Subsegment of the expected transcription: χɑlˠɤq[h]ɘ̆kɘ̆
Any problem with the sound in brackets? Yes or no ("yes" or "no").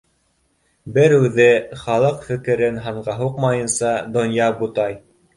yes